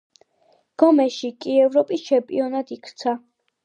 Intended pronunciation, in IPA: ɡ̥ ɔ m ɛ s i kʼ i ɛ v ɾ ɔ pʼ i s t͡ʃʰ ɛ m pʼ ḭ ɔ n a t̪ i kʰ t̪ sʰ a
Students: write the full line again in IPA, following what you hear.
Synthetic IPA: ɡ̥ ɔ m ɛ ʃ i kʼ i ɛ v ɾ ɔ pʼ i s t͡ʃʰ ɛ m pʼ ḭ ɔ n a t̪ i kʰ t̪ sʰ a